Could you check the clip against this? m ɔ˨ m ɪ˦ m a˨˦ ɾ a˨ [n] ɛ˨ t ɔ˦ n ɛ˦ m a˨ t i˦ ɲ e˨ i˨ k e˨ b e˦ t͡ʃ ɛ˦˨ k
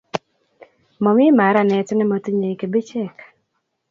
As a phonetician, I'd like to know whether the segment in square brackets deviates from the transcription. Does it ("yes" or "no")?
no